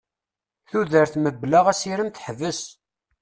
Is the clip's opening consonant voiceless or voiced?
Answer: voiceless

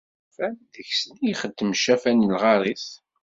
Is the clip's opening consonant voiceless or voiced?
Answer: voiceless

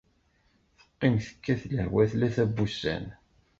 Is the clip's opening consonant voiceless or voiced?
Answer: voiceless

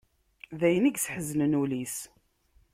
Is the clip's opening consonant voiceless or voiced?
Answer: voiced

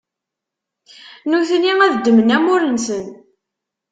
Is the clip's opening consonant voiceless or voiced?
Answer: voiced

